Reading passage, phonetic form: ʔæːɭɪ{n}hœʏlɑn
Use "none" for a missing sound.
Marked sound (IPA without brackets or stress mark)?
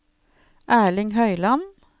ŋ